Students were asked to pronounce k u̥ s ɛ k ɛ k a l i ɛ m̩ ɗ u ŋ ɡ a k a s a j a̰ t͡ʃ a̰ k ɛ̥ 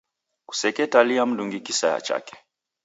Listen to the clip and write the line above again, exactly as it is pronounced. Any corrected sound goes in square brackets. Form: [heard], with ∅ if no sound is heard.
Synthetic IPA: k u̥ s ɛ k ɛ [t] a l i [a] m̩ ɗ u ŋ ɡ [i] k [i] s a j a̰ t͡ʃ a̰ k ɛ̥

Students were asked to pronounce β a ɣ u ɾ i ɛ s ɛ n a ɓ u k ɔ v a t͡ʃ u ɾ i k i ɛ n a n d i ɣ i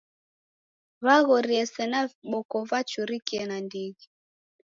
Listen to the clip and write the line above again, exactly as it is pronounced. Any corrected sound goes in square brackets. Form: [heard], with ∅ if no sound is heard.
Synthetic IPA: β a ɣ [ɔ] ɾ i ɛ s ɛ n a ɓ [ɔ] k ɔ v a t͡ʃ u ɾ i k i ɛ n a n d i ɣ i

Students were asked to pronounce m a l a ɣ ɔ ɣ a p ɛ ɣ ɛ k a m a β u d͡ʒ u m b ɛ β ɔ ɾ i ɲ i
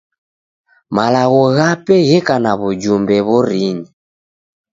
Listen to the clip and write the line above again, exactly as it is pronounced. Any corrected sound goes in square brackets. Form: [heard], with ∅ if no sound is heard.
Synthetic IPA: m a l a ɣ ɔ ɣ a p ɛ ɣ ɛ k a [n] a β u d͡ʒ u m b ɛ β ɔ ɾ i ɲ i

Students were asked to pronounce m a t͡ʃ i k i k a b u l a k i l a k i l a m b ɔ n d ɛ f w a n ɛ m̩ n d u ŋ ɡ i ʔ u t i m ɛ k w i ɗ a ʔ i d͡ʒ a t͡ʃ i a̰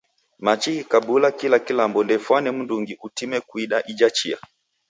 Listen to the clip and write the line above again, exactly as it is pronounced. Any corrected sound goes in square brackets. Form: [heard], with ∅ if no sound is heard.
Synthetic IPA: m a t͡ʃ i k i k a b u l a k i l a k i l a m b ɔ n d ɛ f w a n ɛ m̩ n d u ŋ ɡ i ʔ u t i m ɛ k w i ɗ a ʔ i d͡ʒ a t͡ʃ i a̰

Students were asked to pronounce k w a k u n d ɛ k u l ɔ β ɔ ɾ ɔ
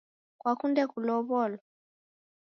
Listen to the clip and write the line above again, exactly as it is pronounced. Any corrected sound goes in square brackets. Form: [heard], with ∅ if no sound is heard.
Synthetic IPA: k w a k u n d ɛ k u l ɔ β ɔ [l] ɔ

